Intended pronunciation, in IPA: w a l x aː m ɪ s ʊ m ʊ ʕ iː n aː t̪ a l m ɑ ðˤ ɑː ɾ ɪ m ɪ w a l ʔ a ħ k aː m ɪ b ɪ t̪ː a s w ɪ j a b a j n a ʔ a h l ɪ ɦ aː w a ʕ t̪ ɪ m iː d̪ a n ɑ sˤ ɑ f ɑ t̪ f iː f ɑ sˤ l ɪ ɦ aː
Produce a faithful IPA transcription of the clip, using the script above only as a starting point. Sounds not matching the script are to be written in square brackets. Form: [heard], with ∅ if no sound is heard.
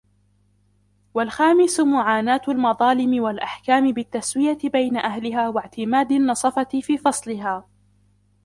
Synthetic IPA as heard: w a l x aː m ɪ s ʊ m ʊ ʕ [aː] n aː t̪ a l m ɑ ðˤ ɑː [l] ɪ m ɪ w a l ʔ a ħ k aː m ɪ b ɪ t̪ː a s w ɪ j a b a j n a ʔ a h l ɪ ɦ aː w a ʕ t̪ ɪ m [aː] d̪ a [nː] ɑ sˤ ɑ f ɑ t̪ f iː f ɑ sˤ l ɪ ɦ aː